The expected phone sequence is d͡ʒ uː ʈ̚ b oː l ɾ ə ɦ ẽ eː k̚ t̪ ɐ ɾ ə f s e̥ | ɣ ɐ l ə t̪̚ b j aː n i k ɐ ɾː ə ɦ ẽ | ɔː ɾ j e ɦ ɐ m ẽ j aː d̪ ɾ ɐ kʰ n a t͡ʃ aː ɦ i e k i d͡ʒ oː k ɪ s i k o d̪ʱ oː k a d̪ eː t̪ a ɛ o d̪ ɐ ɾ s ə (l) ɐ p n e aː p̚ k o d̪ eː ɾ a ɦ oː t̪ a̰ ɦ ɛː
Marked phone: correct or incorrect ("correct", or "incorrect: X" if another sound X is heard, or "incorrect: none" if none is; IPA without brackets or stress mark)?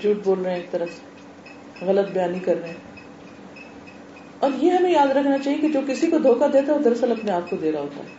correct